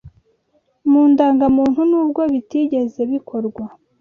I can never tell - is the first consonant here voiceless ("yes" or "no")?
no